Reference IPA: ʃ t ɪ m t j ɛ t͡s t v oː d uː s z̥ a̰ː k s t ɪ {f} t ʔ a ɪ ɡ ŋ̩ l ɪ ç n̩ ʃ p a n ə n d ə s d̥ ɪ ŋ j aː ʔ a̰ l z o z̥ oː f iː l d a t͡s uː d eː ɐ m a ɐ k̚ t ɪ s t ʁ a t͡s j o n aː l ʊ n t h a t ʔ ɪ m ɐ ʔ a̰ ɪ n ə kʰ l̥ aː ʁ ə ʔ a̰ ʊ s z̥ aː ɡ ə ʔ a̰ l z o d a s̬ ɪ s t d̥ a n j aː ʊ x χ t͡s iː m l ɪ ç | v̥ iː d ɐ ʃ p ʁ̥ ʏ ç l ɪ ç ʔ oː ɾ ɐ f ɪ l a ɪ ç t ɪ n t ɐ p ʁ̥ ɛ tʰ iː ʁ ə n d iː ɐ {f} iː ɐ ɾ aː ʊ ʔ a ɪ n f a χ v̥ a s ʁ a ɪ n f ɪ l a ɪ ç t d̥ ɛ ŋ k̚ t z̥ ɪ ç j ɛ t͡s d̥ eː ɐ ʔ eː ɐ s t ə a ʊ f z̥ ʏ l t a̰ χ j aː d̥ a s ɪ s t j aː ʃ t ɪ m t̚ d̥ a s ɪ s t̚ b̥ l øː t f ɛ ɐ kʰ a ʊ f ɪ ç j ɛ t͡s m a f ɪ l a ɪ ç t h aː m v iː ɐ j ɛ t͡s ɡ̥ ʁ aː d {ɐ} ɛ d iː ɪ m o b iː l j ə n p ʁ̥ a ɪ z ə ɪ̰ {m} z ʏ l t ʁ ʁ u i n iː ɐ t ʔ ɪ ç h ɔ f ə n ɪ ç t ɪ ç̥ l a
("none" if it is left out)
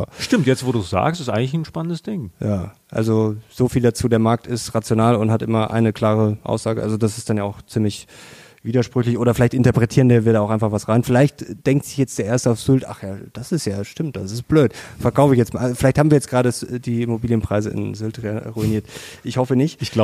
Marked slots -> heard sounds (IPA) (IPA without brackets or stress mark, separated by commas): s, v, ə, n